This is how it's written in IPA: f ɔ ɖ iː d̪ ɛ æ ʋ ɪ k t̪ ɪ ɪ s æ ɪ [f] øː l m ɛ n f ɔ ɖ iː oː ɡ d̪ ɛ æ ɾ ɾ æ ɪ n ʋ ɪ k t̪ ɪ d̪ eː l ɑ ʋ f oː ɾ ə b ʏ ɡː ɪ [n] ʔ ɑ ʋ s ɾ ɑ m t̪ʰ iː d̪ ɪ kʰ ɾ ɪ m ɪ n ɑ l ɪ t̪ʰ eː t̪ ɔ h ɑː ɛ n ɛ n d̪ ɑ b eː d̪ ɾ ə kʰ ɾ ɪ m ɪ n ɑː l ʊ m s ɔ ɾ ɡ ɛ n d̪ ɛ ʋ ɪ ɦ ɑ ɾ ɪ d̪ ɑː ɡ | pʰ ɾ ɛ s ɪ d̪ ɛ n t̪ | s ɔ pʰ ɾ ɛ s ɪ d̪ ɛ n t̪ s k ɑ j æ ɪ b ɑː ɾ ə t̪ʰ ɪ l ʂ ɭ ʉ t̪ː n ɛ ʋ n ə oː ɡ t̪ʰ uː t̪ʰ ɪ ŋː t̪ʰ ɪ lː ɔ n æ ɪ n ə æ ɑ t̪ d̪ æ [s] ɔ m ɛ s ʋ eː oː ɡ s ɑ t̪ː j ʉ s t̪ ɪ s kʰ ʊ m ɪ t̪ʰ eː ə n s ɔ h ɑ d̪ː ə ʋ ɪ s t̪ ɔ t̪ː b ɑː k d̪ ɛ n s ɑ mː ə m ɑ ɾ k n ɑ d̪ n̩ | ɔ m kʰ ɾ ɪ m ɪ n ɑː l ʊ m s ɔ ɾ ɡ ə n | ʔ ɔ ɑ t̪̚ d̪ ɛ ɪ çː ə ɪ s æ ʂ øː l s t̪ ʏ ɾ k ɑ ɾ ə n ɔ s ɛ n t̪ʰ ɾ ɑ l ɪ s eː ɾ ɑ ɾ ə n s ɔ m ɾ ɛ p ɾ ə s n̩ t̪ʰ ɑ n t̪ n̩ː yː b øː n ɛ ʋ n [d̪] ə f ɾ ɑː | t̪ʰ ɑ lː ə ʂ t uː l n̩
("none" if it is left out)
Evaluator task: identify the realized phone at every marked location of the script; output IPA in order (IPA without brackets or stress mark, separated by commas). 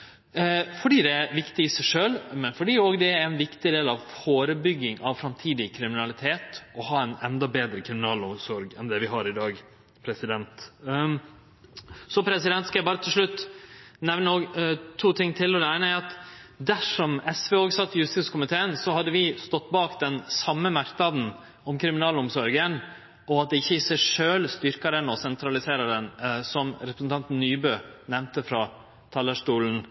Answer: ʂ, ŋ, ʂ, t̪